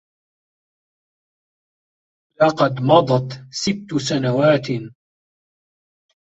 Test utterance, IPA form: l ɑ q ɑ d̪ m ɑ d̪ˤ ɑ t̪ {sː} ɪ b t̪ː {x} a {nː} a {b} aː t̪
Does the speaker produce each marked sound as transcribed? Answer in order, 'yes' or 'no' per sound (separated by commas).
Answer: no, no, no, no